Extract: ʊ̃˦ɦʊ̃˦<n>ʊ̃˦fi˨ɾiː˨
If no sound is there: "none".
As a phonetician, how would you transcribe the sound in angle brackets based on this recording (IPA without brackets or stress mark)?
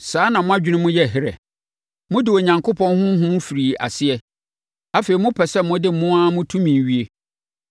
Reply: m